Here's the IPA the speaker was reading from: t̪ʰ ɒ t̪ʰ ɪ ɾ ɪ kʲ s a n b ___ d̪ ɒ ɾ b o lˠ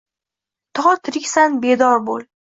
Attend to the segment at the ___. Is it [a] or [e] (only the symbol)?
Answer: e